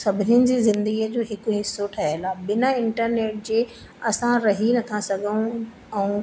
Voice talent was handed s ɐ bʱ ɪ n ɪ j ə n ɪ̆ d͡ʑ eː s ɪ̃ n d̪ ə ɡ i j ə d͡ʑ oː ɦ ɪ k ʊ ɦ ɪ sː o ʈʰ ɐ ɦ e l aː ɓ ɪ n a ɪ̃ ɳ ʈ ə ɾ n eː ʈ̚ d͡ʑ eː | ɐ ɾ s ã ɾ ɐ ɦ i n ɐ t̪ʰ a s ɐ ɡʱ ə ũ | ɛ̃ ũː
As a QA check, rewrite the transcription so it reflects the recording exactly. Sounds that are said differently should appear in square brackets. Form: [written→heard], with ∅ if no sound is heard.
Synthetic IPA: s ɐ bʱ ɪ n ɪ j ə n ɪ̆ d͡ʑ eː [s→z] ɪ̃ n d̪ ə ɡ i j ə d͡ʑ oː ɦ ɪ k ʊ ɦ ɪ sː o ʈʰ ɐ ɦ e l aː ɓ ɪ n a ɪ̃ ɳ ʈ ə ɾ n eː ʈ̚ d͡ʑ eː | ɐ [ɾ→∅] s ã ɾ ɐ ɦ i n ɐ t̪ʰ a s ɐ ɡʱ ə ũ | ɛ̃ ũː